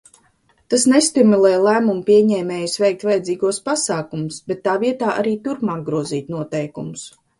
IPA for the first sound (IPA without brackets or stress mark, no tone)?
t̪